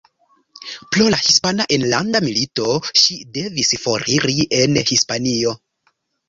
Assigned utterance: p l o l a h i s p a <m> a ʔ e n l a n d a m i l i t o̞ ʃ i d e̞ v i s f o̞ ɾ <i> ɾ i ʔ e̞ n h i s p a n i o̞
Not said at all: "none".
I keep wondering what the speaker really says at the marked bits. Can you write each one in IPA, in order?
n, i

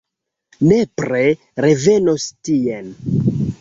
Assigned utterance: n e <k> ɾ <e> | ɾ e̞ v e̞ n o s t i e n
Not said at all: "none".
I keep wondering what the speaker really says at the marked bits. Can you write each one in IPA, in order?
p, e

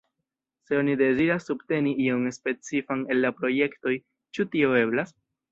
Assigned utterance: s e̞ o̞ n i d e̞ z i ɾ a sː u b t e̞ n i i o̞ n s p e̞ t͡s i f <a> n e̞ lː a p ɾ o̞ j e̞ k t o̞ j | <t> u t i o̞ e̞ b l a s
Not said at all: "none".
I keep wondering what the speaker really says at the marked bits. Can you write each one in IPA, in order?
a, t͡ʃ

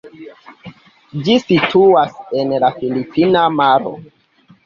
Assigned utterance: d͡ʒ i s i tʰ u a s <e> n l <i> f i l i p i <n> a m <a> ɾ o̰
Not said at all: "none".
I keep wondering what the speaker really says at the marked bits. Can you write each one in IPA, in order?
e, a, n, a

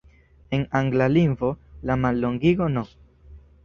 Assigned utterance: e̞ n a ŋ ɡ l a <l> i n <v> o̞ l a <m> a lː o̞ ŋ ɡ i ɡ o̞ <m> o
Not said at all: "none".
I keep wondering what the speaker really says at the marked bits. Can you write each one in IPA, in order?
l, v, m, n

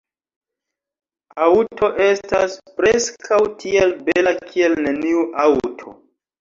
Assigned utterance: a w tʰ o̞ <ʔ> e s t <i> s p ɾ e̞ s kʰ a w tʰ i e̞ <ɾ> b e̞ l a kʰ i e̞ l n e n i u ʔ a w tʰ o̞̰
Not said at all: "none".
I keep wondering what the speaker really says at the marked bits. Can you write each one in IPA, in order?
ʔ, a, l

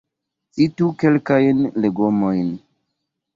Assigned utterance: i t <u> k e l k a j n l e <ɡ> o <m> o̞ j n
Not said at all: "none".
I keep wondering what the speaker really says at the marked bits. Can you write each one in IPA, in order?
u, ɡ, m

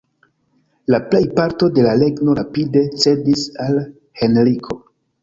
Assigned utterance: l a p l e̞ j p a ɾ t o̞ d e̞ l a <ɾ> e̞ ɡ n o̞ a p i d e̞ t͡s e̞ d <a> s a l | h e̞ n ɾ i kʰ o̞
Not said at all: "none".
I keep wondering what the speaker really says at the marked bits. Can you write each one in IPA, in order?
l, i

